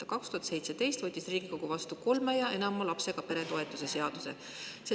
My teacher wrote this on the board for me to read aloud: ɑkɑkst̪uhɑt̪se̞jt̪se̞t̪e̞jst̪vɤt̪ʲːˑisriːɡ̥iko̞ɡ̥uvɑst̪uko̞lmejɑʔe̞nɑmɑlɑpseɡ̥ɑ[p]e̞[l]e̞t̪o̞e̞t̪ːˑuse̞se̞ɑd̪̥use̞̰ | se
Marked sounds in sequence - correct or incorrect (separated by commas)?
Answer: correct, incorrect